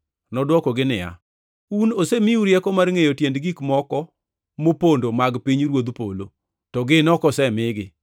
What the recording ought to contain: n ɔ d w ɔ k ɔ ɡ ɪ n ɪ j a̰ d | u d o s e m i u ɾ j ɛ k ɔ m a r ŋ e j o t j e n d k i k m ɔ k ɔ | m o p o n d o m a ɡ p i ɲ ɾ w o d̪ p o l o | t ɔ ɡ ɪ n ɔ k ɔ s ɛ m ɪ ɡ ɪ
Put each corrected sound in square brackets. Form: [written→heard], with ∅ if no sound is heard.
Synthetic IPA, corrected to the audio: n ɔ d w ɔ k ɔ ɡ ɪ n ɪ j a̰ [d→∅] | u [d→n] o s e m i u ɾ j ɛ k ɔ m a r ŋ e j o t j e n d [k→ɡ] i k m ɔ k ɔ | m o p o n d o m a ɡ p i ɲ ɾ w o d̪ p o l o | t ɔ ɡ ɪ n ɔ k ɔ s ɛ m ɪ ɡ ɪ